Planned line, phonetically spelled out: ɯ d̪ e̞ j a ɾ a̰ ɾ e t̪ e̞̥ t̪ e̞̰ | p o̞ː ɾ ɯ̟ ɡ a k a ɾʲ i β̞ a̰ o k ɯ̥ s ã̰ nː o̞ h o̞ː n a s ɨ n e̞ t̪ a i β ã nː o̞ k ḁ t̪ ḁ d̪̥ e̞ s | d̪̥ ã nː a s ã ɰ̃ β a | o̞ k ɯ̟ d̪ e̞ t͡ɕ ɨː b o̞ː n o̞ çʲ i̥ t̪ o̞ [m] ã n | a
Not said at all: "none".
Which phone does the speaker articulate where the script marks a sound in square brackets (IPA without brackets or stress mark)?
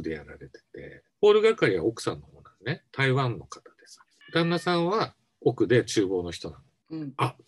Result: n